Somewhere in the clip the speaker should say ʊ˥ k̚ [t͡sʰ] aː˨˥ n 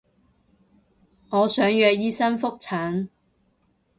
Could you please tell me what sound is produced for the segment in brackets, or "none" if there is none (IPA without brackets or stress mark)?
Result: t͡sʰ